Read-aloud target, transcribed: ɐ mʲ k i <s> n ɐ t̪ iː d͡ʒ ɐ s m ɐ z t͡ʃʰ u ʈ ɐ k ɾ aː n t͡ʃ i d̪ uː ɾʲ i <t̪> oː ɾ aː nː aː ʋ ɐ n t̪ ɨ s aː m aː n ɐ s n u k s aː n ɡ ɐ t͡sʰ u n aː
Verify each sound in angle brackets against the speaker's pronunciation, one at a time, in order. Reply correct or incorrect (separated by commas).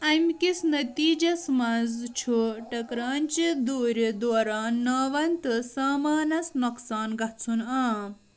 correct, incorrect